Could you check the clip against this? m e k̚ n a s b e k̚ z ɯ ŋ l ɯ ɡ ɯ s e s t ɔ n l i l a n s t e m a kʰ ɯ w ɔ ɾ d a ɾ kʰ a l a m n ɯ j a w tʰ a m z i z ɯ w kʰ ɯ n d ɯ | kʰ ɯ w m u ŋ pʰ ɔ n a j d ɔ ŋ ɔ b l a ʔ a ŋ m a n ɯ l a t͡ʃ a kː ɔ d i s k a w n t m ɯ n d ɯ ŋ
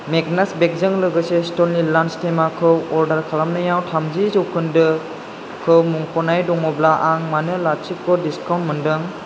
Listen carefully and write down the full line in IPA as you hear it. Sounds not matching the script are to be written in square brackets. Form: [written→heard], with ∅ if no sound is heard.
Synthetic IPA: m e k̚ n a s b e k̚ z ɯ ŋ l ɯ ɡ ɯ s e s t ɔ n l i l a n s t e m a kʰ ɯ w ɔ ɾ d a ɾ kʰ a l a m n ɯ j a w tʰ a m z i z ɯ w kʰ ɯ n d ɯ | kʰ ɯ w m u ŋ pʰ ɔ n a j d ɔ ŋ ɔ b l a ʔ a ŋ m a n ɯ l a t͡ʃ [a→i] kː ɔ d i s k a w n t m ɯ n d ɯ ŋ